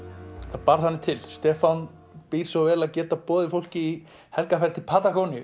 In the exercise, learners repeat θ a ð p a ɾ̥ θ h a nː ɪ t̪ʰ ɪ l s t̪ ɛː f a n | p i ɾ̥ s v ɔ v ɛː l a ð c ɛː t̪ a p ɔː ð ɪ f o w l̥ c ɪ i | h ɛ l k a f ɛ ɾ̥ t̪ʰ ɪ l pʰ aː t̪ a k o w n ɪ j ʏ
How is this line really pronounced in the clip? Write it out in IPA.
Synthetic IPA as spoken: θ a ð p a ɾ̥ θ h a nː ɪ t̪ʰ ɪ l s t̪ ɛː f a n | p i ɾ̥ s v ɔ v ɛː l a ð c ɛː t̪ a p ɔː ð ɪ f o w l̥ c ɪ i | h ɛ l k a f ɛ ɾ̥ t̪ʰ ɪ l pʰ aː t̪ a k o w n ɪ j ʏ